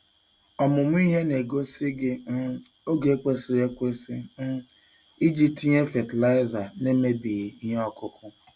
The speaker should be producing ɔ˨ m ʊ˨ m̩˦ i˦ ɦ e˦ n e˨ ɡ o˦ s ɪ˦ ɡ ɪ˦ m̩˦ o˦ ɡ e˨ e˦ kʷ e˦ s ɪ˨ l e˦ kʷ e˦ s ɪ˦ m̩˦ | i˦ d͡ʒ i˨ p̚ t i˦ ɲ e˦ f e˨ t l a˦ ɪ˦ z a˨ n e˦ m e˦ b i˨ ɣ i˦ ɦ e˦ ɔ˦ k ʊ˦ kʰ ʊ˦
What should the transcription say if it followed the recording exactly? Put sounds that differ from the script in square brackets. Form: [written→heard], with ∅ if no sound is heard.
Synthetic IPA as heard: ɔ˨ m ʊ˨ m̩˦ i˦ ɦ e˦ n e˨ ɡ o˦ s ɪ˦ ɡ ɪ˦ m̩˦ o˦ ɡ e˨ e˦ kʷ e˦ s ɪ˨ [l→ɾ] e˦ kʷ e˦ s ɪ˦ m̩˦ | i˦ d͡ʒ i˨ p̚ t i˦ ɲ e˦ f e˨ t l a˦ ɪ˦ z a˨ n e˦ m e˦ b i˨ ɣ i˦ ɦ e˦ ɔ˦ k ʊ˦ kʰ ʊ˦